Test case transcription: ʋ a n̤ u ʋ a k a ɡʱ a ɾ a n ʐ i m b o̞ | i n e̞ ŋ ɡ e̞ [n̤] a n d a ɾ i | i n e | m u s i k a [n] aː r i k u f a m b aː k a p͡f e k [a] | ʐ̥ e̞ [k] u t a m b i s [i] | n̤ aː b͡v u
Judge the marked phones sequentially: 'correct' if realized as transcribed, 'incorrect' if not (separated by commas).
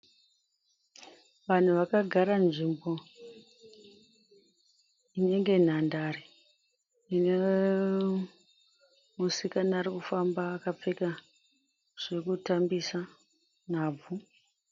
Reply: correct, correct, correct, correct, incorrect